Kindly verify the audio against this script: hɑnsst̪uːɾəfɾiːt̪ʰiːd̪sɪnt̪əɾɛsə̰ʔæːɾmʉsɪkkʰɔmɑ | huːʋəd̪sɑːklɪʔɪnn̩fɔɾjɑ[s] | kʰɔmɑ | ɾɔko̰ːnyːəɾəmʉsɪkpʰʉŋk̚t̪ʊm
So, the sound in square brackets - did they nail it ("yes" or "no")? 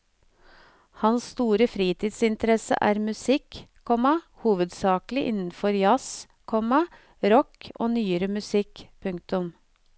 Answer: yes